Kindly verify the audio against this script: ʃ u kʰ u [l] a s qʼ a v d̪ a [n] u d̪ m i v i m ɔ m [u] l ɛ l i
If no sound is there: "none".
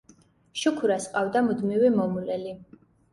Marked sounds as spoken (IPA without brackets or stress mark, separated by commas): ɾ, m, u